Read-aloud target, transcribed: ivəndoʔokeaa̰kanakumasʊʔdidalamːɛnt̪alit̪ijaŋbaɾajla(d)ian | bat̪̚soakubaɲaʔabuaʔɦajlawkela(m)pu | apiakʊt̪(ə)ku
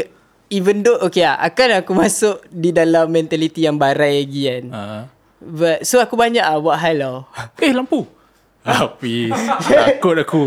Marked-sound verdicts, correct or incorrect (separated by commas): incorrect, correct, incorrect